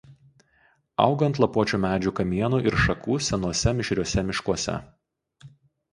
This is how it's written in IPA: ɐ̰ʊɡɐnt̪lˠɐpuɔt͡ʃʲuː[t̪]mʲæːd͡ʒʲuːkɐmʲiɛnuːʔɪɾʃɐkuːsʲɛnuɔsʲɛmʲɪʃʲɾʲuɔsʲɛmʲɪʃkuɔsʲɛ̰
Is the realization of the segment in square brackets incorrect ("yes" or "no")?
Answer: yes